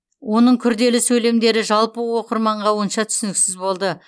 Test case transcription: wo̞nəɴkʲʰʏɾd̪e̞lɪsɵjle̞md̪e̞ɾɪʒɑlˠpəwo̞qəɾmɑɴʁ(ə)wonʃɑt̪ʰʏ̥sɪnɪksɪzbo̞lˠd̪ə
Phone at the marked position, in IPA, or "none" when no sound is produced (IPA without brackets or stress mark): ɑ